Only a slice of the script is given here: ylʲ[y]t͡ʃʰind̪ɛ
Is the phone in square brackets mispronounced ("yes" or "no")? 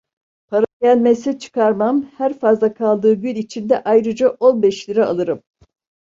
yes